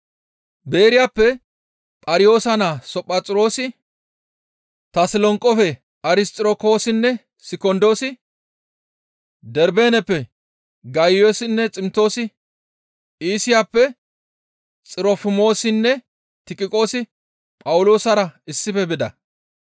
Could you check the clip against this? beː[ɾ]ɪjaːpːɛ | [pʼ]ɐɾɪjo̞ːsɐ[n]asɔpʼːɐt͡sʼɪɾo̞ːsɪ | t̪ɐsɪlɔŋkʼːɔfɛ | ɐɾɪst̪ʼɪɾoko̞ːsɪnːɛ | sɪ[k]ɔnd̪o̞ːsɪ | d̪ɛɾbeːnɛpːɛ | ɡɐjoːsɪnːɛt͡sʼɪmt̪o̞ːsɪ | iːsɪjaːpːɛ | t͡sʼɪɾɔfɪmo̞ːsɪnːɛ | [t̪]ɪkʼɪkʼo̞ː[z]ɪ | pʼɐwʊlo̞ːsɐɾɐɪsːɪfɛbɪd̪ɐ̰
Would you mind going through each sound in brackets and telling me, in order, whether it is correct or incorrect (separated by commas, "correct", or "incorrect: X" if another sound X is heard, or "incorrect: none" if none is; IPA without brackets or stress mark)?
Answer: correct, correct, correct, correct, correct, incorrect: s